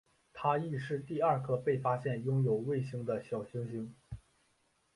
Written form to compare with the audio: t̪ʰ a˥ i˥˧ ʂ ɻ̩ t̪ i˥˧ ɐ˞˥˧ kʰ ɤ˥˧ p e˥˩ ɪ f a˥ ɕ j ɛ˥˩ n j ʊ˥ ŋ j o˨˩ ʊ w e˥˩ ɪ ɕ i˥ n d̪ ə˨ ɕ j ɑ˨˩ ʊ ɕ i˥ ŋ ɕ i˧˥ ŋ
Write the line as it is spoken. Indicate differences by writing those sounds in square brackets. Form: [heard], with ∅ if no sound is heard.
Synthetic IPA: t̪ʰ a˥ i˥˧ ʂ ɻ̩ t̪ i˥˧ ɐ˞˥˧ kʰ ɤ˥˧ p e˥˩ ɪ f a˥ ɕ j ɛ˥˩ n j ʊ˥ ŋ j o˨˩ ʊ w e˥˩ ɪ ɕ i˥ [ŋ] d̪ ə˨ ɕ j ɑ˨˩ ʊ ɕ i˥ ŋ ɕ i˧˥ ŋ

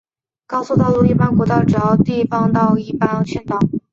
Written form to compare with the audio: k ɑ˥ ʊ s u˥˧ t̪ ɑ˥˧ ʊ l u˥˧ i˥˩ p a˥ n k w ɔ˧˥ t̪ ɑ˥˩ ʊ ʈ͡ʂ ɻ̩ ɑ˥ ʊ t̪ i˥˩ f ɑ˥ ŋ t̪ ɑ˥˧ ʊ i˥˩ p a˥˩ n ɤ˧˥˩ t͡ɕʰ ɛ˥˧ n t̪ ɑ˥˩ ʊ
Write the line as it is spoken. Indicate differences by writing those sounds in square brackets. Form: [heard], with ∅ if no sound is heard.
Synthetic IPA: k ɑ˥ ʊ s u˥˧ t̪ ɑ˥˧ ʊ l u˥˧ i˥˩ p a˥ n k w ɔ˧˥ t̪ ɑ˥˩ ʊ ʈ͡ʂ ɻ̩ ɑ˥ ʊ t̪ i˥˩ f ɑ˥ ŋ t̪ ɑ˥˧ ʊ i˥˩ p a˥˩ n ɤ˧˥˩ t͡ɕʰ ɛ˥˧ n t̪ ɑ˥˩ ʊ

